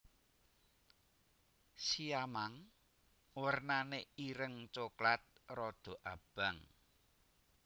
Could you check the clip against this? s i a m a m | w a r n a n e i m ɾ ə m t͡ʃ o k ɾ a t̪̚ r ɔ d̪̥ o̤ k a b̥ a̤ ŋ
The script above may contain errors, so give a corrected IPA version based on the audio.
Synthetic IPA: s i a m a ŋ | w ə r n a n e i ɾ ə ŋ t͡ʃ o k l a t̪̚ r ɔ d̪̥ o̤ ʔ a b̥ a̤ ŋ